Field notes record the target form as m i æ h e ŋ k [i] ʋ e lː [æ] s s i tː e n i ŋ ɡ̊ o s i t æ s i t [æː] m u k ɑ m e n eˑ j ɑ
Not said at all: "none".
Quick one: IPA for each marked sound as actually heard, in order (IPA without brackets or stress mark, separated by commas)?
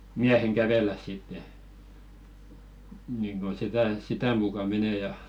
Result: æ, æ, æ